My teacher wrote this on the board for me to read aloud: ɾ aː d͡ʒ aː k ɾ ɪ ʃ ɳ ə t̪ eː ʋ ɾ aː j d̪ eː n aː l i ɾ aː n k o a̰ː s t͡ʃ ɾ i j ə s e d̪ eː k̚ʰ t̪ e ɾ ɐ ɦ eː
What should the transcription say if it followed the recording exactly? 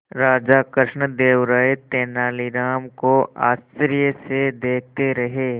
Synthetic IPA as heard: ɾ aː d͡ʒ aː k ɾ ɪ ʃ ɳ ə d̪ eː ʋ ɾ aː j t̪ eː n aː l i ɾ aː m k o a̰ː s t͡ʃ ɾ i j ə s e d̪ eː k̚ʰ t̪ e ɾ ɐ ɦ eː